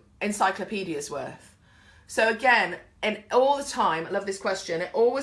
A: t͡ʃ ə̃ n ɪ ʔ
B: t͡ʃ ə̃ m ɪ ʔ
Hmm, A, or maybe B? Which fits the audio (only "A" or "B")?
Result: A